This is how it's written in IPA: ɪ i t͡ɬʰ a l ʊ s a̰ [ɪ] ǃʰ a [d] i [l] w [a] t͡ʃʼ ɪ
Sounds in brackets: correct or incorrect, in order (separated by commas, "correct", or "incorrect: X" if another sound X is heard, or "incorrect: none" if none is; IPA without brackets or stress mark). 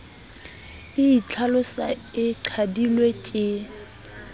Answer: correct, correct, correct, incorrect: e